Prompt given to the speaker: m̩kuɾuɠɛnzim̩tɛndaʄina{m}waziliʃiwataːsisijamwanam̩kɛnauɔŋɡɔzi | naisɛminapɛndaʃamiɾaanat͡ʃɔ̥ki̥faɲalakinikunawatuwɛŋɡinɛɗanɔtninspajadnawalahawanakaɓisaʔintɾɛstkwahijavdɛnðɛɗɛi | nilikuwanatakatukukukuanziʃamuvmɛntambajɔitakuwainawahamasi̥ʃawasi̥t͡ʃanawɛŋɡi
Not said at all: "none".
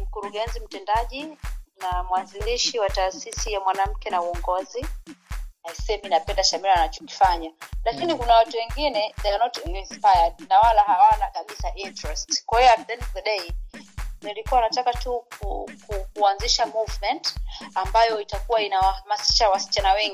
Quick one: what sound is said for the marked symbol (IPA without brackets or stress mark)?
m